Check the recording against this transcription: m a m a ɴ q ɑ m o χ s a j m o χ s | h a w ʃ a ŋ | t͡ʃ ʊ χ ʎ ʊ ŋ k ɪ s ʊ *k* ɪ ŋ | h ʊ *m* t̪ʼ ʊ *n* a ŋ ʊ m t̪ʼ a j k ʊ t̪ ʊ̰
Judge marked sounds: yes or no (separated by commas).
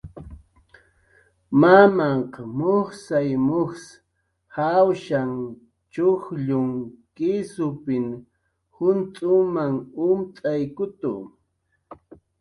no, no, no